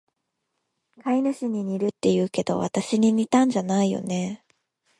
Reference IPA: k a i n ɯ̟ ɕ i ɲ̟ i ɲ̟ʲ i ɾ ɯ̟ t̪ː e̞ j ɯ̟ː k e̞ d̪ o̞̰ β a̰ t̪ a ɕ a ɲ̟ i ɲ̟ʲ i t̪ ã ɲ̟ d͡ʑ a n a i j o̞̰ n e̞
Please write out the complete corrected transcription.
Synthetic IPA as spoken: k a i n ɯ̟ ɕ i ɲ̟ i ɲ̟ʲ i ɾ ɯ̟ t̪ː e̞ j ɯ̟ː k e̞ d̪ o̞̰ β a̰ t̪ a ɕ i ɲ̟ i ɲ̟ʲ i t̪ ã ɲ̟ d͡ʑ a n a i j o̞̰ n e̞